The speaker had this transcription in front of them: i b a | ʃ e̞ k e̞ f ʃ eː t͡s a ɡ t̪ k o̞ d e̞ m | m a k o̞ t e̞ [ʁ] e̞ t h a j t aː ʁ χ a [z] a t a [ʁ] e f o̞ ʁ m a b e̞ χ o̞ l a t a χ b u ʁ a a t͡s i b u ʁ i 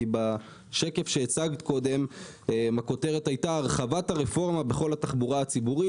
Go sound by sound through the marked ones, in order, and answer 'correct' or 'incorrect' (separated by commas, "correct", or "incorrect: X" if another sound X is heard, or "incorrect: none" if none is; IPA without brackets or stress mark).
correct, incorrect: v, correct